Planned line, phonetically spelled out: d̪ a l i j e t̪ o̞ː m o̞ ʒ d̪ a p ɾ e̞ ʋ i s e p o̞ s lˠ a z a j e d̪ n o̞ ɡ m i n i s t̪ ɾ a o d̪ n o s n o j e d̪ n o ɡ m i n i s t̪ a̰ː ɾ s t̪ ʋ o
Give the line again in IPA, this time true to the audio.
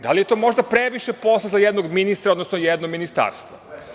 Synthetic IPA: d̪ a l i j e t̪ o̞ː m o̞ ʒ d̪ a p ɾ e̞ ʋ i ʃ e p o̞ s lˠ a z a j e d̪ n o̞ ɡ m i n i s t̪ ɾ a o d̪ n o s n o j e d̪ n o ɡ m i n i s t̪ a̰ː ɾ s t̪ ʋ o